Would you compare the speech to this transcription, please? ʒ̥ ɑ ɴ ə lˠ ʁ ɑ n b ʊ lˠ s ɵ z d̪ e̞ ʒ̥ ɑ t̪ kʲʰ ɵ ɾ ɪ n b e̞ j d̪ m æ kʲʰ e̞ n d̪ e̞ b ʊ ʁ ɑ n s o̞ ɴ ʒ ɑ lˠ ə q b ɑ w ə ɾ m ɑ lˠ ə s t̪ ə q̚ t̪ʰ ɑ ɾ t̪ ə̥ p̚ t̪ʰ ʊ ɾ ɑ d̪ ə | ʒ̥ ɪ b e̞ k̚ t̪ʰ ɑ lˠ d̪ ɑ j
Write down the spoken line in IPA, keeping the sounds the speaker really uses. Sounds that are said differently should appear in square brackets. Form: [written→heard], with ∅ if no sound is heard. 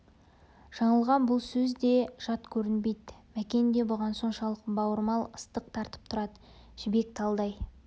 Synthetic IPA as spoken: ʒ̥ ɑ ɴ ə lˠ ʁ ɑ n b ʊ lˠ s ɵ z d̪ e̞ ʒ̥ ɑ t̪ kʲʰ ɵ ɾ ɪ n b e̞ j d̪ m æ [kʲʰ→kʲ] e̞ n d̪ e̞ b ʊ ʁ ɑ n s o̞ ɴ [ʒ→ʃ] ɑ lˠ ə q b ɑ w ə ɾ m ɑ lˠ ə s t̪ ə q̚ t̪ʰ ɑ ɾ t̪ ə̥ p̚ t̪ʰ ʊ ɾ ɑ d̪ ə | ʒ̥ ɪ b e̞ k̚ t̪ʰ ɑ lˠ d̪ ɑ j